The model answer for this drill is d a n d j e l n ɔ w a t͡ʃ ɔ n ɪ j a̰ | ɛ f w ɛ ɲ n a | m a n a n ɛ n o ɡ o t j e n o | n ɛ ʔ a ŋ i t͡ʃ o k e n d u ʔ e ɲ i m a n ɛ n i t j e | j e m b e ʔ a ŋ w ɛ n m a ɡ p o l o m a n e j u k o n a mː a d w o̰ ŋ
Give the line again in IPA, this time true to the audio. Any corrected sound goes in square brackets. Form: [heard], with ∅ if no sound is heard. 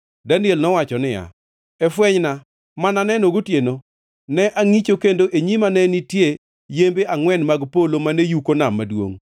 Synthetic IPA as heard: d a n d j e l n ɔ w a t͡ʃ ɔ n ɪ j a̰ | ɛ f w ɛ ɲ n a | m a n a n ɛ n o ɡ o t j e n o | n ɛ ʔ a ŋ i t͡ʃ o k e n d [o] ʔ e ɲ i m a n ɛ n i t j e | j e m b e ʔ a ŋ w ɛ n m a ɡ p o l o m a n e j u k o n a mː a d w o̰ ŋ

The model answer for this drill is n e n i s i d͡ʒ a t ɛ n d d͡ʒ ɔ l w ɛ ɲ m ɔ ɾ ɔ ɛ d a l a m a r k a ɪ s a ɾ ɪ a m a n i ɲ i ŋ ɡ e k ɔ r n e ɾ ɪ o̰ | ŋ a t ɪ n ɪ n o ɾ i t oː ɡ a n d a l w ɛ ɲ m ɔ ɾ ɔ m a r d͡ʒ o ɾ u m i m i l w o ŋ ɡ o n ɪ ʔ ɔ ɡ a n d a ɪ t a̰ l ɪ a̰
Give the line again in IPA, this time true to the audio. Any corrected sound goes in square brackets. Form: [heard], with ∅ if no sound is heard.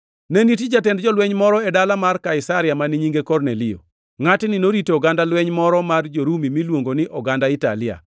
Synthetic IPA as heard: n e n i [t] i d͡ʒ a t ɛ n d d͡ʒ ɔ l w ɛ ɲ m ɔ ɾ ɔ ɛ d a l a m a r k a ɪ s a ɾ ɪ a m a n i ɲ i ŋ ɡ e k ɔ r n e [l] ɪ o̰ | ŋ a t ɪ n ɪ n o ɾ i t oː ɡ a n d a l w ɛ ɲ m ɔ ɾ ɔ m a r d͡ʒ o ɾ u m i m i l w o ŋ ɡ o n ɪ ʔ ɔ ɡ a n d a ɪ t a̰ l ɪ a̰

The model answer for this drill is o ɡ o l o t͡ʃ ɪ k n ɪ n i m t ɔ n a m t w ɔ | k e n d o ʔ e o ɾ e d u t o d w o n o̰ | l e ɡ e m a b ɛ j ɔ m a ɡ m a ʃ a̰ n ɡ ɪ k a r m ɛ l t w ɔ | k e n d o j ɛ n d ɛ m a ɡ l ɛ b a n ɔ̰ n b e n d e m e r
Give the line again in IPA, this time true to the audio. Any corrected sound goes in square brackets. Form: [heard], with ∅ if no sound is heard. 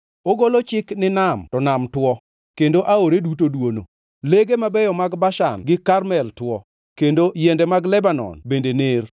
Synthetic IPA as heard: o ɡ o l o t͡ʃ ɪ k n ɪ n [a] m t ɔ n a m t w ɔ | k e n d o ʔ [a] o ɾ e d u t o d w o n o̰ | l e ɡ e m a b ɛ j ɔ m a ɡ [b] a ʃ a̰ n ɡ ɪ k a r m ɛ l t w ɔ | k e n d o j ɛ n d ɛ m a ɡ l ɛ b a n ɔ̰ n b e n d e [n] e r

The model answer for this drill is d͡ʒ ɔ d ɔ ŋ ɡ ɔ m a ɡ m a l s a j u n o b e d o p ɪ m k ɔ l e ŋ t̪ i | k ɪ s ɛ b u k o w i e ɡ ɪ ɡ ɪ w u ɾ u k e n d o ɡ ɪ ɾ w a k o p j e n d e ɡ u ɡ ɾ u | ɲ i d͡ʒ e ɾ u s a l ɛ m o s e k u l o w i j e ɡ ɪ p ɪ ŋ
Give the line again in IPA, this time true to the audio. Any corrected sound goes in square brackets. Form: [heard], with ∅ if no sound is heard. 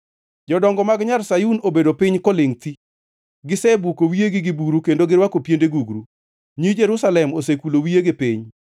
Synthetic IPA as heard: d͡ʒ ɔ d ɔ ŋ ɡ ɔ m a ɡ [ɲ] a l s a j u n o b e d o p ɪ [ɲ] k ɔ l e ŋ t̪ i | [ɡ] ɪ s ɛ b u k o w i e ɡ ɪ ɡ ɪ [b] u ɾ u k e n d o ɡ ɪ ɾ w a k o p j e n d e ɡ u ɡ ɾ u | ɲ i d͡ʒ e ɾ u s a l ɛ m o s e k u l o w i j e ɡ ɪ p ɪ [ɲ]

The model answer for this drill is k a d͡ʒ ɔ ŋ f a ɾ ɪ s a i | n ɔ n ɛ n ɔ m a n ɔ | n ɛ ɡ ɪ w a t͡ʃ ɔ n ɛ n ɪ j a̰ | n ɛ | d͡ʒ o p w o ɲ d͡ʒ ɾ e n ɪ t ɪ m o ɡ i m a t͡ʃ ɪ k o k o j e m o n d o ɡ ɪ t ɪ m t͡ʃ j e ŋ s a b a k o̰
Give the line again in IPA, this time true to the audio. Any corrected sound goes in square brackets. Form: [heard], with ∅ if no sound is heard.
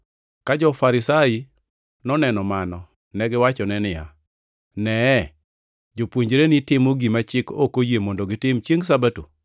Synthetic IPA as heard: k a d͡ʒ ɔ [∅] f a ɾ ɪ s a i | n ɔ n ɛ n ɔ m a n ɔ | n ɛ ɡ ɪ w a t͡ʃ ɔ n ɛ n ɪ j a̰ | n ɛ | d͡ʒ o p w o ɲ d͡ʒ ɾ e n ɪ t ɪ m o ɡ i m a t͡ʃ ɪ k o k o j e m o n d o ɡ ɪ t ɪ m t͡ʃ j e ŋ s a b a [t] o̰

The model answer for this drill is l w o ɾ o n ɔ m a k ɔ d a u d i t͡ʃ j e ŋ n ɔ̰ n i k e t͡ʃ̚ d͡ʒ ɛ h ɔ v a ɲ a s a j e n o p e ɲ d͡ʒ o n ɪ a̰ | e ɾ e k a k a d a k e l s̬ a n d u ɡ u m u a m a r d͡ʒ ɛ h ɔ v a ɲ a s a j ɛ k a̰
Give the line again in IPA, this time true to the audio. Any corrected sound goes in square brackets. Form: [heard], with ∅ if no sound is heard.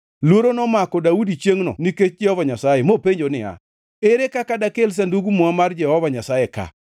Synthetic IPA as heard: l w o ɾ o n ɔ m a k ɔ d a u d i t͡ʃ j e ŋ n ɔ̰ n i k e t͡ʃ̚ d͡ʒ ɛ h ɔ v a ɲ a s a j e [m] o p e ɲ d͡ʒ o n ɪ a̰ | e ɾ e k a k a d a k e l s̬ a n d u ɡ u m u a m a r d͡ʒ ɛ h ɔ v a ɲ a s a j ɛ k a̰

